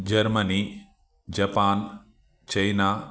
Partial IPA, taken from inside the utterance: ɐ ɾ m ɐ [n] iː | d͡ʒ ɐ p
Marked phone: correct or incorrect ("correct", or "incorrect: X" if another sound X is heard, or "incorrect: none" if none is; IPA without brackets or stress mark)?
correct